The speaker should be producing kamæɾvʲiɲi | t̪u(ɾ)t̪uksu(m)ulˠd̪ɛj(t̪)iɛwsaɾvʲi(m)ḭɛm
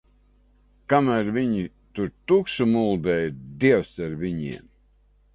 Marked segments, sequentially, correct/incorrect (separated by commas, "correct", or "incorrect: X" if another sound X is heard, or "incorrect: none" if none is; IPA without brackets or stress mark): correct, correct, incorrect: d̪, incorrect: ɲ